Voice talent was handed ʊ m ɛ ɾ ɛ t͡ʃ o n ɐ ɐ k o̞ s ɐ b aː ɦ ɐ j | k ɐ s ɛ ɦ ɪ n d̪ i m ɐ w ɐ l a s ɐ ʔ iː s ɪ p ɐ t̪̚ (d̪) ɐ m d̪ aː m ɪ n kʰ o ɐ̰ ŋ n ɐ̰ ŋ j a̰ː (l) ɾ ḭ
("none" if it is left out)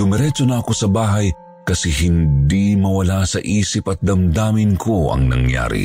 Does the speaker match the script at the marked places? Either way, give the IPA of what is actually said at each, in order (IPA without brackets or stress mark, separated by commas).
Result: d̪, none